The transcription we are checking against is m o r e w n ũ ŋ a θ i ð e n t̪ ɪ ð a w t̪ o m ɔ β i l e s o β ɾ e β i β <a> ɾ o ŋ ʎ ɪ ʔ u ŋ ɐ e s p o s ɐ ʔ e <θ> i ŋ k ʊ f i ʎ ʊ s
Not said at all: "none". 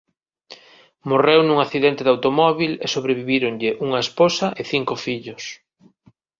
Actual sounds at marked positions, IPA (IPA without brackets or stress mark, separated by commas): i, θ